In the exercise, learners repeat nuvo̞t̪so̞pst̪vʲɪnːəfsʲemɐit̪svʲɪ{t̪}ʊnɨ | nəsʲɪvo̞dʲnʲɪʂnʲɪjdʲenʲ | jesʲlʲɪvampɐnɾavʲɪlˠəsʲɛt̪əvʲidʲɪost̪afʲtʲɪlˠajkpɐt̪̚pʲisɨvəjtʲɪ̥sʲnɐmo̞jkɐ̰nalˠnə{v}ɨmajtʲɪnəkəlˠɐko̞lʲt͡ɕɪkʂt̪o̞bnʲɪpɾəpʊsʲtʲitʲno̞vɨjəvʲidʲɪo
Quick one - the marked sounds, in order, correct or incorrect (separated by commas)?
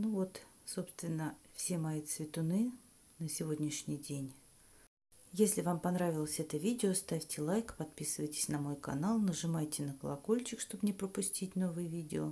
correct, incorrect